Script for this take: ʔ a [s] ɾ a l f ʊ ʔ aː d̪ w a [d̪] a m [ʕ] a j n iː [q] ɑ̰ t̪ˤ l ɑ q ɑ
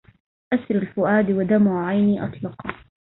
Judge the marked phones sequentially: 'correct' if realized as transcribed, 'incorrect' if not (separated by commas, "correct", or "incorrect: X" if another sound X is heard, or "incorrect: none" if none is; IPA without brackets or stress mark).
correct, correct, correct, incorrect: ʔ